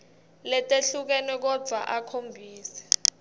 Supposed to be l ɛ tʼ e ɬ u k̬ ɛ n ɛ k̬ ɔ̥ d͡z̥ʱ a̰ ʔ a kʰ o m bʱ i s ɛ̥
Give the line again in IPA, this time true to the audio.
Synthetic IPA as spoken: l ɛ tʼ e ɬ u k̬ ɛ n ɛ k̬ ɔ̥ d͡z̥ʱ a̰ ʔ a kʰ o m bʱ iː s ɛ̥